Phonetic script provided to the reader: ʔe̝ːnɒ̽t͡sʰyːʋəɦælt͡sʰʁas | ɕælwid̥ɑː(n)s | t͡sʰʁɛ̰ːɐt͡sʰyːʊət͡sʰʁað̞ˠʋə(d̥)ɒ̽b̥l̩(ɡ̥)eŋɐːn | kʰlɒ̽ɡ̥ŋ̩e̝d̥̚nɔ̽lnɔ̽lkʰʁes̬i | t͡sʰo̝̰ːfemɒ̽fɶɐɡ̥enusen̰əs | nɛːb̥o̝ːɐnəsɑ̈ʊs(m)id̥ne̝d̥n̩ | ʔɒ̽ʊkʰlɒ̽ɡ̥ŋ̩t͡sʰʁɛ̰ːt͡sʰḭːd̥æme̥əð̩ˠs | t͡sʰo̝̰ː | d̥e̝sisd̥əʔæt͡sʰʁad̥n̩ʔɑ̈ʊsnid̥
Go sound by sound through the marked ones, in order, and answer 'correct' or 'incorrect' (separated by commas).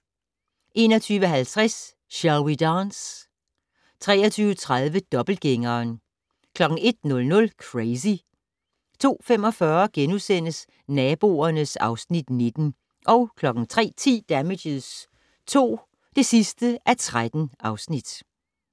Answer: correct, correct, correct, incorrect